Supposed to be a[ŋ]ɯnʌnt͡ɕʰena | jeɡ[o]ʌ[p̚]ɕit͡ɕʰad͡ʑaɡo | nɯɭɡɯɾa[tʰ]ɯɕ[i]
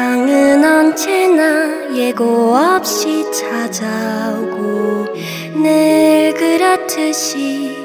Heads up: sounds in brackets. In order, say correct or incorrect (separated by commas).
correct, correct, correct, correct, correct